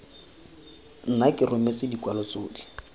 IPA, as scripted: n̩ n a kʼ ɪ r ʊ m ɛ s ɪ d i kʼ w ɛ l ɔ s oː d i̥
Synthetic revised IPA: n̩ n a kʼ ɪ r ʊ m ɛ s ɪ d i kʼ w a l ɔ t͡s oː d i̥